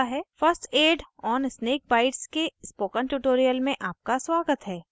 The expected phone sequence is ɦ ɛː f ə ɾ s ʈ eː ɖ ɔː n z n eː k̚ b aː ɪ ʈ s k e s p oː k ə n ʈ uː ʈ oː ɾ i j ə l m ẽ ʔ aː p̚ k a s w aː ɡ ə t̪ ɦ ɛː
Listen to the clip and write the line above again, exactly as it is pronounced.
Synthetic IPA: ɦ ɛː f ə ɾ s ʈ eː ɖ ɔː n s n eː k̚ b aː ɪ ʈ s k e s p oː k ə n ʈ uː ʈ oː ɾ i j ə l m ẽ ʔ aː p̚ k a s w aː ɡ ə t̪ ɦ ɛː